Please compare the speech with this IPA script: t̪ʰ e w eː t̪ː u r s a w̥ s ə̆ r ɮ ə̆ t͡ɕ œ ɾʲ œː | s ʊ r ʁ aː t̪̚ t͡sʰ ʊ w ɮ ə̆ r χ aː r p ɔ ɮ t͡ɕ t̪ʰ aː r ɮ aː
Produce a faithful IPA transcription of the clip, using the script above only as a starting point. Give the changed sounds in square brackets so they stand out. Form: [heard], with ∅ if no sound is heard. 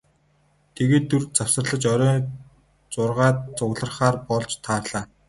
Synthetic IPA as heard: t̪ʰ e [ɣ] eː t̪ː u r [t͡s] a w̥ s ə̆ r ɮ ə̆ t͡ɕ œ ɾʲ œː | [t͡s] ʊ r ʁ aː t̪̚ [t͡s] ʊ [ɣ] ɮ ə̆ r χ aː r p ɔ ɮ t͡ɕ t̪ʰ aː r ɮ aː